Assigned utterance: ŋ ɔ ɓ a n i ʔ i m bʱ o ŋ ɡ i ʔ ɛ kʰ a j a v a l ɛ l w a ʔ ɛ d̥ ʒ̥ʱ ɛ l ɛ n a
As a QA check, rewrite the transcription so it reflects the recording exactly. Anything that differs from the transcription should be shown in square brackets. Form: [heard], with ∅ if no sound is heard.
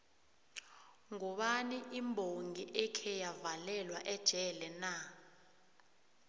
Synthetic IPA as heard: ŋ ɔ ɓ a n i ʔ i m bʱ o ŋ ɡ i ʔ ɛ kʰ [ɛ] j a v a l ɛ l w a ʔ ɛ d̥ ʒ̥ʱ ɛ l ɛ n a